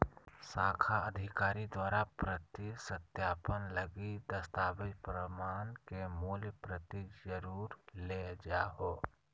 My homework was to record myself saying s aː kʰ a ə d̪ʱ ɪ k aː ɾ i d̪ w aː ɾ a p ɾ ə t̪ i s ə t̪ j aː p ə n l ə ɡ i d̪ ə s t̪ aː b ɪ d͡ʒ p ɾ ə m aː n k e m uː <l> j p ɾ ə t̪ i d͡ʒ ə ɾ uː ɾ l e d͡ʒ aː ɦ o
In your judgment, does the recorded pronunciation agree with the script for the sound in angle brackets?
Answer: yes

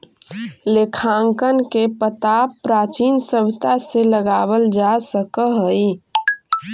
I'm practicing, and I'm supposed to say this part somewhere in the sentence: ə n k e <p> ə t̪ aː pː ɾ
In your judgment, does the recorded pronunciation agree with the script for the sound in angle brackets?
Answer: yes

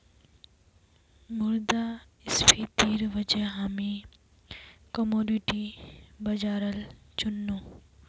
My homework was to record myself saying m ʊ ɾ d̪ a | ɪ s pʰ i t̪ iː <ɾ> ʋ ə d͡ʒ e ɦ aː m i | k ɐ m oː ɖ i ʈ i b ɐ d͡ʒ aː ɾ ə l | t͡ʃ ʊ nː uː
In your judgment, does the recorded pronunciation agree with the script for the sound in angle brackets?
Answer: yes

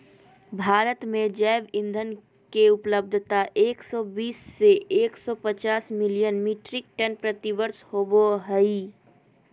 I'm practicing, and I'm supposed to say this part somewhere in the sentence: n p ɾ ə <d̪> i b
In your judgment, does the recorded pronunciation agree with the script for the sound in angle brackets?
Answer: no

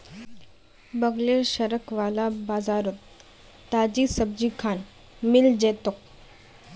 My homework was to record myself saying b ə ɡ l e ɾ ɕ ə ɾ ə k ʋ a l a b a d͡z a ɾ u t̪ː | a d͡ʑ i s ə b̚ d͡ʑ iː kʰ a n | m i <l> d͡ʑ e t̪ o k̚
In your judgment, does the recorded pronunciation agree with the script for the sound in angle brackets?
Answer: yes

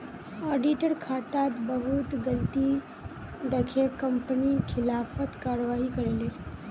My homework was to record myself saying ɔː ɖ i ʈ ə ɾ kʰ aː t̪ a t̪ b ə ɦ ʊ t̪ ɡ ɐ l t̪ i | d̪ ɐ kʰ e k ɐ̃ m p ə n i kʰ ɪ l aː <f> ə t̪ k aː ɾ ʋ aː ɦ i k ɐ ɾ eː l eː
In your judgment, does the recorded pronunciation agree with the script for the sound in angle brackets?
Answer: yes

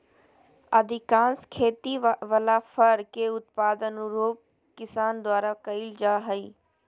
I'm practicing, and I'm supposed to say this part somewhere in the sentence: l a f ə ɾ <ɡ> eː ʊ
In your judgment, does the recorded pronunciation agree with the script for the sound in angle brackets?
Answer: no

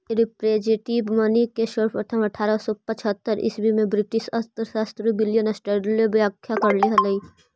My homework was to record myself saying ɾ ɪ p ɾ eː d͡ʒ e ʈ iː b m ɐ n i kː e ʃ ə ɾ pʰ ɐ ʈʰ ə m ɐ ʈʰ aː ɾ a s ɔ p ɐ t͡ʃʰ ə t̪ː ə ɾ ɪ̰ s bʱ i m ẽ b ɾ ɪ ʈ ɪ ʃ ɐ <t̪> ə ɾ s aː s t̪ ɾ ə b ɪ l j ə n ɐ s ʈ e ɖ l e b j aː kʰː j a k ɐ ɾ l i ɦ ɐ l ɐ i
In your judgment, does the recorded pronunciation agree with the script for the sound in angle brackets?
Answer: yes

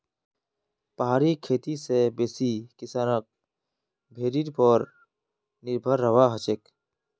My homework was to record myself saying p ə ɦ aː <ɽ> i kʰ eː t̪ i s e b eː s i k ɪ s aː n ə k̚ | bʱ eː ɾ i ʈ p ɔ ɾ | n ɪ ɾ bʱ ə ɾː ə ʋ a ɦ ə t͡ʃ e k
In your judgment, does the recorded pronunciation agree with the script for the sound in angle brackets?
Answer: no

